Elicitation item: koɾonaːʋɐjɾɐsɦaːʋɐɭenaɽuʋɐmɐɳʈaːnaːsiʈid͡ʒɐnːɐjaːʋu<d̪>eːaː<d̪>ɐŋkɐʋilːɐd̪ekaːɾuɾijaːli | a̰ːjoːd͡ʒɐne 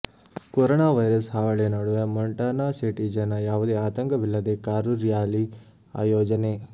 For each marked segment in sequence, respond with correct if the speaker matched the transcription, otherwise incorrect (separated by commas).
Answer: correct, incorrect